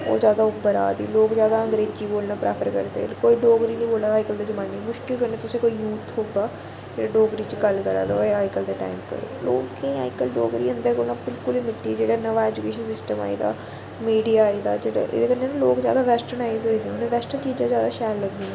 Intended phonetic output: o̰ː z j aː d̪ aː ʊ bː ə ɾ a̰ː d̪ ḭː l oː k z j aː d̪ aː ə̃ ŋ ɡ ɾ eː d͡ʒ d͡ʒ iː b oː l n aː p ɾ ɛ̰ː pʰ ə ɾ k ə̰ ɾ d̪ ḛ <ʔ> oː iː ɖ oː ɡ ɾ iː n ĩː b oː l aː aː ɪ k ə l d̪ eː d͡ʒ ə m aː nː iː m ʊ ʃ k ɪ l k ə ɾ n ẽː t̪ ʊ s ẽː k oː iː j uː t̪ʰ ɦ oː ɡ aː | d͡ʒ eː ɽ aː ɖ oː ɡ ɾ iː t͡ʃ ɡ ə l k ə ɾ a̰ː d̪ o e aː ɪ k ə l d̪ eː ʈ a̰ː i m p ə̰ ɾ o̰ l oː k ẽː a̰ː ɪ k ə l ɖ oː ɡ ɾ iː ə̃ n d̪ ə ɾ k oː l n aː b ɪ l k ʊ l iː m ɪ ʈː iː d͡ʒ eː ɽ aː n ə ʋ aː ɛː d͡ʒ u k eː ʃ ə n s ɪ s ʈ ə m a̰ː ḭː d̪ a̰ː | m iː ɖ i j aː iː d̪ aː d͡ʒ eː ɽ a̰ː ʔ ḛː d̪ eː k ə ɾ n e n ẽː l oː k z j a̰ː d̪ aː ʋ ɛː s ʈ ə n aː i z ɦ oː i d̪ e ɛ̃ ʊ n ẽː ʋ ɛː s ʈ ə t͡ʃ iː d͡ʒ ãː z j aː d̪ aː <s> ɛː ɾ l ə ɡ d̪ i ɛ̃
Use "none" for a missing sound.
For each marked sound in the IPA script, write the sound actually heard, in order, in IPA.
k, ʃ

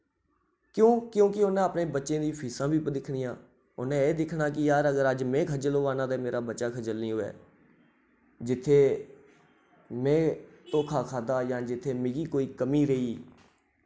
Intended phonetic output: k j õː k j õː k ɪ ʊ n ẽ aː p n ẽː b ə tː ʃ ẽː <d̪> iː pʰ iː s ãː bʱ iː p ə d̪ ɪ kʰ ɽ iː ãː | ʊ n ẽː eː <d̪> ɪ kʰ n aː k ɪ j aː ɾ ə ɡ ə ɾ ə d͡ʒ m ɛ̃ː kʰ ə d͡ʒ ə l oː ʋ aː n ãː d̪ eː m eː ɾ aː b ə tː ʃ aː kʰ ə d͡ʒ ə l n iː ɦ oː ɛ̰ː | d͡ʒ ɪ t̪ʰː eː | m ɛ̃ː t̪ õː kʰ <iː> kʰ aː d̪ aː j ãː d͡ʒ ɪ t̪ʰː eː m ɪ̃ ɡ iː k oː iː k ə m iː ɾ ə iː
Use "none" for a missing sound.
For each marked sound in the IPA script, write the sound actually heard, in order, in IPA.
d̪, d̪, aː

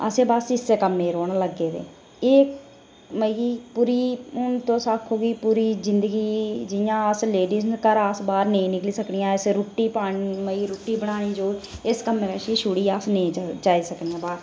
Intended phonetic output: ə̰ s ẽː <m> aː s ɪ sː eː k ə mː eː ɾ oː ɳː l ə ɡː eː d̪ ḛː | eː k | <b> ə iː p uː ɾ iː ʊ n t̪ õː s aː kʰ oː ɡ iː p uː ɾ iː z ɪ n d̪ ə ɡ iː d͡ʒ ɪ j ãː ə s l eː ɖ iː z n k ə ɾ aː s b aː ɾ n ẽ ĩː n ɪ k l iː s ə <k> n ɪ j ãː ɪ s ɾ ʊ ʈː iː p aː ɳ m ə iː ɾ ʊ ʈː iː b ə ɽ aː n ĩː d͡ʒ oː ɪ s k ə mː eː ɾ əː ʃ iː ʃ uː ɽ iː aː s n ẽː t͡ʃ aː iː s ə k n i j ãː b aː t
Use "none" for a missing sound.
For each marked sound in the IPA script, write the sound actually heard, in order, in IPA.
b, m, k

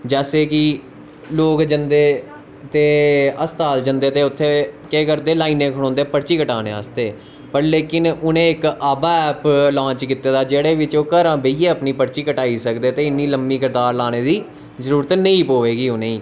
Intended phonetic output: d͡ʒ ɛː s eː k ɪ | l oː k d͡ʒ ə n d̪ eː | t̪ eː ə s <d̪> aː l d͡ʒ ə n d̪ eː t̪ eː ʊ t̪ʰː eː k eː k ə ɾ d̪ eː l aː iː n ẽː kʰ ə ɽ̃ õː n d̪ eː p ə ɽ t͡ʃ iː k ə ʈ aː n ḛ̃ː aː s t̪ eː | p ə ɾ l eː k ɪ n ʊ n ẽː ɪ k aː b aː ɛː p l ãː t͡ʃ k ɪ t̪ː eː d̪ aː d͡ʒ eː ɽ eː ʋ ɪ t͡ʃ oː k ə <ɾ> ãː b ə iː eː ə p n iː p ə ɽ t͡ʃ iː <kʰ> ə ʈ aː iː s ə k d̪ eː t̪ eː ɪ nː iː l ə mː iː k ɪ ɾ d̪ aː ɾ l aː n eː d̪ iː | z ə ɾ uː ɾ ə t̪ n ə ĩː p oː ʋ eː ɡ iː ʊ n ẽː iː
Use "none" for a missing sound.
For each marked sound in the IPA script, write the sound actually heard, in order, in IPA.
t̪, ɾ, k

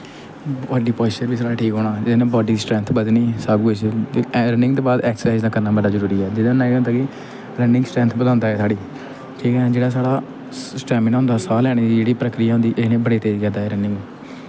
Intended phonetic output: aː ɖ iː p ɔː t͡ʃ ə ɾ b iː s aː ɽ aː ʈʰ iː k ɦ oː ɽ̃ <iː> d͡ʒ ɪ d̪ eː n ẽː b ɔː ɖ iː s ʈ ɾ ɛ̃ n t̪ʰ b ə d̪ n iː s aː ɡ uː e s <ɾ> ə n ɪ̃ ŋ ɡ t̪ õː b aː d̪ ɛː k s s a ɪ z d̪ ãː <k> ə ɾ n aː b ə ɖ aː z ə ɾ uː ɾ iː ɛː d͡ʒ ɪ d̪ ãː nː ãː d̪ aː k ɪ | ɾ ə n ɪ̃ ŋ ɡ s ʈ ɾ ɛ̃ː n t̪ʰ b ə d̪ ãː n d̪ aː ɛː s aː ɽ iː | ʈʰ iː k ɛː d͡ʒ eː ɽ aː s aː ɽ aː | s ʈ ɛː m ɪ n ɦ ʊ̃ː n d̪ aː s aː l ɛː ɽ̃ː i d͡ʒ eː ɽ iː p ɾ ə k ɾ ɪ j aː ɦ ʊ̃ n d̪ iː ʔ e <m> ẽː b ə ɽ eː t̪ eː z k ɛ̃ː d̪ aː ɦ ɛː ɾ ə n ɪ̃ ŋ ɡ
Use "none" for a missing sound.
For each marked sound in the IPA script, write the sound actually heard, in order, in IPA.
aː, ɾ, k, n

